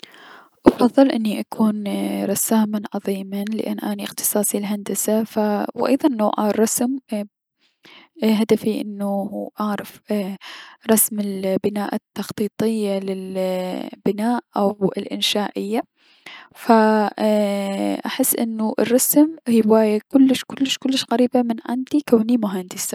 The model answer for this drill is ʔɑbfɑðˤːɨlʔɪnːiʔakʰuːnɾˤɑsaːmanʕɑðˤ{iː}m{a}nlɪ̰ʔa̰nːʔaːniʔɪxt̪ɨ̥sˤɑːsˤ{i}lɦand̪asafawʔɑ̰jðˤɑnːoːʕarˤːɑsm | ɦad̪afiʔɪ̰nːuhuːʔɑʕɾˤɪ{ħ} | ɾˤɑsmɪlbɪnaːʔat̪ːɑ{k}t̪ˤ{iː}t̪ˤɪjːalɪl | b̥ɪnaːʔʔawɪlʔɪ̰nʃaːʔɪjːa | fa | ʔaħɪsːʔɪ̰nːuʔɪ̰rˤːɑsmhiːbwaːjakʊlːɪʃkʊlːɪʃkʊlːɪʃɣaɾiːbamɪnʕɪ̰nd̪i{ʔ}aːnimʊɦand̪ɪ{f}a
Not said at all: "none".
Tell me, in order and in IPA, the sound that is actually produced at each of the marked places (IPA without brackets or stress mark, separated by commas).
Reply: iː, a, i, f, x, iː, k, s